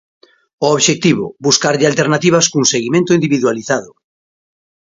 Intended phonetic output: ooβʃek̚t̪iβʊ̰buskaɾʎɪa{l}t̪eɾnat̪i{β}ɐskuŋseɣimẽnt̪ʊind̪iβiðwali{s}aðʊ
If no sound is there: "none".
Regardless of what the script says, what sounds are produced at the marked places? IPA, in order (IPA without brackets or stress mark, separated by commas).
l, β, θ